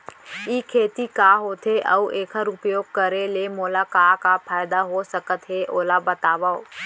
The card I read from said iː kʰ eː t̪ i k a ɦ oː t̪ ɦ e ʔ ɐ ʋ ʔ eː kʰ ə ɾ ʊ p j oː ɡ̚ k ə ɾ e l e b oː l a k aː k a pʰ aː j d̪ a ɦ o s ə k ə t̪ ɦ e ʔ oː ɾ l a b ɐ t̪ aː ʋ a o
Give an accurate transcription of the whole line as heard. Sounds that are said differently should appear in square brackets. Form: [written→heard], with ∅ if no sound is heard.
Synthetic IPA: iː kʰ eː t̪ i k a ɦ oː t̪ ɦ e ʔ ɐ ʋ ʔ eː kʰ ə ɾ ʊ p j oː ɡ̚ k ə ɾ e l e [b→m] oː l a k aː k a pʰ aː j d̪ a ɦ o s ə k ə t̪ ɦ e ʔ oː [ɾ→∅] l a b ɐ t̪ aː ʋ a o